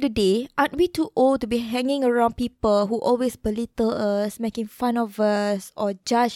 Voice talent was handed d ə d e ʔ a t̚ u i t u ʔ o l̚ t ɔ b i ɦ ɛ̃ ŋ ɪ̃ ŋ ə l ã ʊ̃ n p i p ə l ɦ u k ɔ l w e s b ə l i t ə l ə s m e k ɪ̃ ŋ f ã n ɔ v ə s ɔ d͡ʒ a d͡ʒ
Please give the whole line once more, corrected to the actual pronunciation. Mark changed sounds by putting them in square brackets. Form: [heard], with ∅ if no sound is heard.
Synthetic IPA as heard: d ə d e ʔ a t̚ [w] i t u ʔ o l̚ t [u] b i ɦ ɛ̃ ŋ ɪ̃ ŋ ə [ɹ] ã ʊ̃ n p i p ə l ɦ u [ʔ] ɔ l w e s b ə l i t ə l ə s m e k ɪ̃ ŋ f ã n ɔ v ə s ɔ d͡ʒ a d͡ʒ